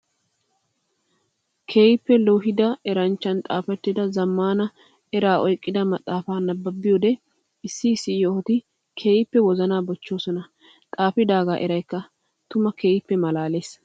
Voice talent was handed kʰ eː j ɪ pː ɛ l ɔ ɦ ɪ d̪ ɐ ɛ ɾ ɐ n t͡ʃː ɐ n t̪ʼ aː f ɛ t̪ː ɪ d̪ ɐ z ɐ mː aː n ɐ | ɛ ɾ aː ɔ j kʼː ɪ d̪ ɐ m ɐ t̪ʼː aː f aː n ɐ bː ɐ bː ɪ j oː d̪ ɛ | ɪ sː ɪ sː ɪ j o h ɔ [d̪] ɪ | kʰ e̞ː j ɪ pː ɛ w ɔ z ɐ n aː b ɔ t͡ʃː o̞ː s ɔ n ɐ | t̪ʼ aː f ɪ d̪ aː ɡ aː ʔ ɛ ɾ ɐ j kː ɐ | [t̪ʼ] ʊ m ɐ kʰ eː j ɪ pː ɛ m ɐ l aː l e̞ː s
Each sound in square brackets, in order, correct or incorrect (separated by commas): incorrect, incorrect